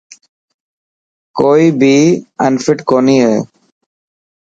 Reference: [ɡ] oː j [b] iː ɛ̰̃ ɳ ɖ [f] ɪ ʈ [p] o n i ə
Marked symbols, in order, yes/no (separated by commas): no, yes, yes, no